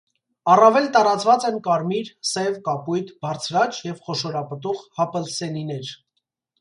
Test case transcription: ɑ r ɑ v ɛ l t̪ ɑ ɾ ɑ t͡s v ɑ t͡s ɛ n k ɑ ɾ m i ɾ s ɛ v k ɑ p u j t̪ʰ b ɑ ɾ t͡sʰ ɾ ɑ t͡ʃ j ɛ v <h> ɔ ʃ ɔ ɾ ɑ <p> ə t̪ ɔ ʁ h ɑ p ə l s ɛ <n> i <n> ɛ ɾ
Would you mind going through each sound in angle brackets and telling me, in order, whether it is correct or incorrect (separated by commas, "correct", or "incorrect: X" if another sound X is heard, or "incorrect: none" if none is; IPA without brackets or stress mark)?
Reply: incorrect: χ, correct, correct, correct